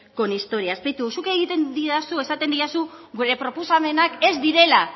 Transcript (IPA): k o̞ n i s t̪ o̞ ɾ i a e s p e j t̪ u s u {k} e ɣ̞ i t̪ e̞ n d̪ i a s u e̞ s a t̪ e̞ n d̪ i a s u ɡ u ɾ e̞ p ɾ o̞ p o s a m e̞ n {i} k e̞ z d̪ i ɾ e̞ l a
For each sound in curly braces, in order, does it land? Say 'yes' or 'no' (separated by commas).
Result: yes, no